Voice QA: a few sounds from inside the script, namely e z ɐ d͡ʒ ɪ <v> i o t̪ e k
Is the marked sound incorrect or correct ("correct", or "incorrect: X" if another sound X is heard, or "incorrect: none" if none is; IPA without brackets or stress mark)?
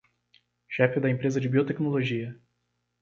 incorrect: b